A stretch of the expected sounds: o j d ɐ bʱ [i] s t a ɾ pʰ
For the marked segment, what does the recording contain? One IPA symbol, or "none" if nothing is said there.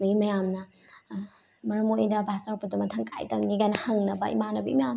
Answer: a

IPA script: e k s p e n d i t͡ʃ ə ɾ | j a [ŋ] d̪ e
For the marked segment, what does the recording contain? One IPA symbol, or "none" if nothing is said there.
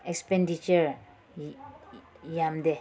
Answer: m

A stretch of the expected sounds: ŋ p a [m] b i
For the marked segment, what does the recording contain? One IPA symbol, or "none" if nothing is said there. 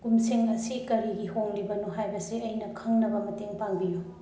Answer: ŋ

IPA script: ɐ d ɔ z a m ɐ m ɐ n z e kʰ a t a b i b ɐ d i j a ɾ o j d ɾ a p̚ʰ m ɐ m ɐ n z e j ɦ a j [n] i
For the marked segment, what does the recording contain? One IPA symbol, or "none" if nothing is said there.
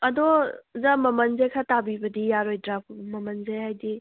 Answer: d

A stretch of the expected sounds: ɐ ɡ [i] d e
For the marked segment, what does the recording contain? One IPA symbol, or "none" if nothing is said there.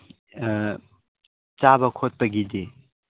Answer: i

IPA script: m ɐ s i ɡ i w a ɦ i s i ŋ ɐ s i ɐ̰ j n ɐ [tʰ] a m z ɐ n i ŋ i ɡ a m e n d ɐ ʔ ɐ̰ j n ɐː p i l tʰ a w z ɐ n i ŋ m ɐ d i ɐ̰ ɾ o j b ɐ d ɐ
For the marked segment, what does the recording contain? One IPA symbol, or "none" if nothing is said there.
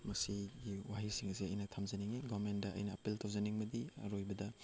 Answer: tʰ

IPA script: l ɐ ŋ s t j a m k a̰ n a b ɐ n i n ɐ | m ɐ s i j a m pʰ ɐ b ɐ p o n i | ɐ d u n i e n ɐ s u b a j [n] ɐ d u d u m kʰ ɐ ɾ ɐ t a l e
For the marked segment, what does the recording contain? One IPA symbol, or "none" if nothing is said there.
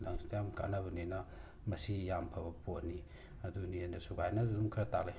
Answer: n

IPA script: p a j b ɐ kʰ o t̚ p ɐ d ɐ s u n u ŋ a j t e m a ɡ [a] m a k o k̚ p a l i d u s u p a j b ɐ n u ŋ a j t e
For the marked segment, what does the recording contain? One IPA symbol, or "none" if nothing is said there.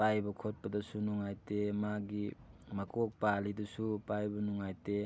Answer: i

